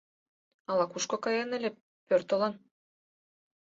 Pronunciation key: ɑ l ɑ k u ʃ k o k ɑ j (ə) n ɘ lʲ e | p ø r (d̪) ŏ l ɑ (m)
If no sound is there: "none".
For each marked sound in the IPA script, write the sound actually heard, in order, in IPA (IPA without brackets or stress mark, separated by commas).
ɑ, t̪, n